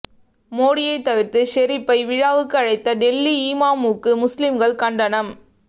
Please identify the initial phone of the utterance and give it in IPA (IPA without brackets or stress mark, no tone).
m